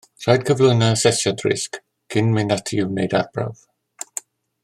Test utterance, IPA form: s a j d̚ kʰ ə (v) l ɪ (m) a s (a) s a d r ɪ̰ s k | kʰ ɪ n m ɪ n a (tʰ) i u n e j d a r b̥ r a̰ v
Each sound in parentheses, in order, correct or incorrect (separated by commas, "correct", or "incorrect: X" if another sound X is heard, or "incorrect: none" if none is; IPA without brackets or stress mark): correct, incorrect: n, incorrect: ɛ, correct